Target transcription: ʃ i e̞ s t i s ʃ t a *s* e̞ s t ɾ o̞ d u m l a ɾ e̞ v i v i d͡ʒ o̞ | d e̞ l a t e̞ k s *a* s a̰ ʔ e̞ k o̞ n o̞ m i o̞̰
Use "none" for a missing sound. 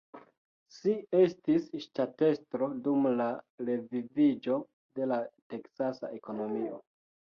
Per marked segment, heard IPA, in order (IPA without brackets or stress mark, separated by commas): t, a